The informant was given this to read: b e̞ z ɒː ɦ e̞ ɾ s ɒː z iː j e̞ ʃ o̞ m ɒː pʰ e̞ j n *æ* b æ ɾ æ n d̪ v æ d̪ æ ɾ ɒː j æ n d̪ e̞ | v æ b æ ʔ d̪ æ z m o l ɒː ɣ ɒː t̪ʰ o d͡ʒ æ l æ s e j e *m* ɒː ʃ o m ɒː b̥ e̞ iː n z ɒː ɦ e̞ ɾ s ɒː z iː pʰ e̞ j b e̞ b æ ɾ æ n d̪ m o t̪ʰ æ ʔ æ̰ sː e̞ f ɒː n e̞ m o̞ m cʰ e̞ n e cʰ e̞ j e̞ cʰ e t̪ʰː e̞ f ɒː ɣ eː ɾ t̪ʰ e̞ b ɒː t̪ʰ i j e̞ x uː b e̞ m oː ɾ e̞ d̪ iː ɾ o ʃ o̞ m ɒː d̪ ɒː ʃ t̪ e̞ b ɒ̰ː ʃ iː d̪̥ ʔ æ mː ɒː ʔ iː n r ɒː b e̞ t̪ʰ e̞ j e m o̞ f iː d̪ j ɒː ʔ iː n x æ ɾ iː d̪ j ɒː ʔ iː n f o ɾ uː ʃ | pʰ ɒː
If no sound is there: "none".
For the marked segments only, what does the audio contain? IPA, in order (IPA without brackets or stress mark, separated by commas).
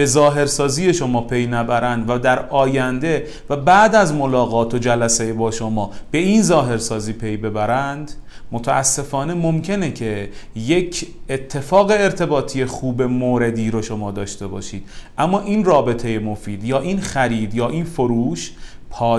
æ, b